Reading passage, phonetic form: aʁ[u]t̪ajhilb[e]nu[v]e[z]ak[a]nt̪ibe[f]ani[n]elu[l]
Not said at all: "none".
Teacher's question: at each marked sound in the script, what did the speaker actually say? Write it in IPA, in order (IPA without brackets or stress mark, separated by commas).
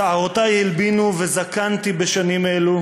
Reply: o, i, v, z, a, ʃ, m, none